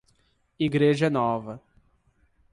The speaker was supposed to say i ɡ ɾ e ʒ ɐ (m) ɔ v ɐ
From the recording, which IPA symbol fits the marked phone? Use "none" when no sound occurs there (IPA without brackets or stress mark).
n